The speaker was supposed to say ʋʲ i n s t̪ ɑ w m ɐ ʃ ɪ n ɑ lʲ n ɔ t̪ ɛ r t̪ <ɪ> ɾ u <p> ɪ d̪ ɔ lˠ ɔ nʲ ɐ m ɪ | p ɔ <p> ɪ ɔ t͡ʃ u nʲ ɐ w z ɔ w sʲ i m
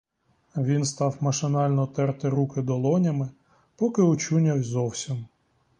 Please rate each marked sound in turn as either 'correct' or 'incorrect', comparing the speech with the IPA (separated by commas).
correct, incorrect, incorrect